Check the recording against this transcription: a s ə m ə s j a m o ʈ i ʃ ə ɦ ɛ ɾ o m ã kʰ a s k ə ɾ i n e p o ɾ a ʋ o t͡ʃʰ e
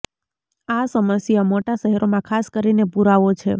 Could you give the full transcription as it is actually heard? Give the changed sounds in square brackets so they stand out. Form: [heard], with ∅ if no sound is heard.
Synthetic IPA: a s ə m ə s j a m o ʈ [a] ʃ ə ɦ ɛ ɾ o m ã kʰ a s k ə ɾ i n e p [u] ɾ a ʋ o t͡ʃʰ e